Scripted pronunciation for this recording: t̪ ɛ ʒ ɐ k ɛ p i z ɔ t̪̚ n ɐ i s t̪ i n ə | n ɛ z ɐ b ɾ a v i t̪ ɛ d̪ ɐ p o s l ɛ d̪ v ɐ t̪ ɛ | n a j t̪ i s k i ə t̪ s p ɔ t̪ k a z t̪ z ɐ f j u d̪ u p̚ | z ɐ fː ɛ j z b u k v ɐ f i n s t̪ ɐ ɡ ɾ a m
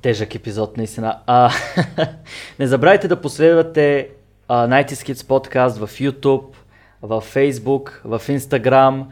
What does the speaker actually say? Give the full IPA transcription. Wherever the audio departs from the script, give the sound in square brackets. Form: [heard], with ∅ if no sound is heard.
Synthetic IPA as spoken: t̪ ɛ ʒ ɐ k ɛ p i z ɔ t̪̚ n ɐ i s t̪ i n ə | n ɛ z ɐ b ɾ a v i t̪ ɛ d̪ ɐ p o s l ɛ d̪ v ɐ t̪ ɛ | n a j t̪ i s k i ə t̪ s p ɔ t̪ k a [s] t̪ [v] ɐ f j u [t̪] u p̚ | [v] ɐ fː ɛ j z b u k v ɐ f i n s t̪ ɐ ɡ ɾ a m